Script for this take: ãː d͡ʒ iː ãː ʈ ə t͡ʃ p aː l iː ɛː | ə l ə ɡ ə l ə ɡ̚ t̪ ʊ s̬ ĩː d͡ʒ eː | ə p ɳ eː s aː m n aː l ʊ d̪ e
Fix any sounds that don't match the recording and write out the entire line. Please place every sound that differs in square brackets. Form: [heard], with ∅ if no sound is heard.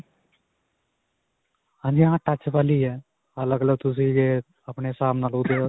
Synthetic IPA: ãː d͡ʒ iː ãː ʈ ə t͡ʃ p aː l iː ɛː | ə l ə ɡ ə l ə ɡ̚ t̪ ʊ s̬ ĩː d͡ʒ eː | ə p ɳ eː s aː m n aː l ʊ d̪ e